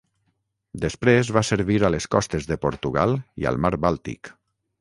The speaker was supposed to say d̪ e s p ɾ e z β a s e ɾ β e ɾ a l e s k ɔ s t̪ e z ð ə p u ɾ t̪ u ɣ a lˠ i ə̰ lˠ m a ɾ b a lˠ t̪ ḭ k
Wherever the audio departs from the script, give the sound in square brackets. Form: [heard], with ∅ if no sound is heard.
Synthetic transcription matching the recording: d̪ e s p ɾ e z β a s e ɾ β [i] ɾ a l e s k ɔ s t̪ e z ð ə p [o] ɾ t̪ u ɣ a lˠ i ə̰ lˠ m a ɾ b a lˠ t̪ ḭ k